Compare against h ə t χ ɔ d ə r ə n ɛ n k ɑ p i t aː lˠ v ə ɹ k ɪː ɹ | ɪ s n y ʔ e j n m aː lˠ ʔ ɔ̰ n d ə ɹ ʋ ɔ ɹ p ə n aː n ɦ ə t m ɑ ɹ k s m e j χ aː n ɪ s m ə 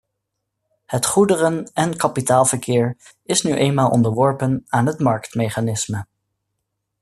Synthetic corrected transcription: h ə t χ u d ə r ə n ɛ n k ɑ p i t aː lˠ v ə ɹ k ɪː ɹ | ɪ s n y ʔ e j n m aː lˠ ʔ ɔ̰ n d ə ɹ ʋ ɔ ɹ p ə n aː n ɦ ə t m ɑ ɹ k t m e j χ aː n ɪ s m ə